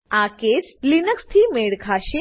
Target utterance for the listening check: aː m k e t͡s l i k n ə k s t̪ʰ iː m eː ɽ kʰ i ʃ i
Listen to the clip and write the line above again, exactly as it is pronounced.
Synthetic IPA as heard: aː k e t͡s l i n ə k s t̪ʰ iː m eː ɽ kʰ a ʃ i